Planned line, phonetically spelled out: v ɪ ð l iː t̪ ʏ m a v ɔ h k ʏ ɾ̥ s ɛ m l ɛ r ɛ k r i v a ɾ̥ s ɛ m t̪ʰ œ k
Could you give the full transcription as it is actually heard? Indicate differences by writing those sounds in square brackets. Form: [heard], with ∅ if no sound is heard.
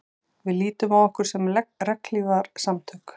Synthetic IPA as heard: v ɪ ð l iː t̪ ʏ m a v ɔ h k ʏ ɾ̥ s ɛ m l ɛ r ɛ k [l] i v a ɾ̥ s [a] m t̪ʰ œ k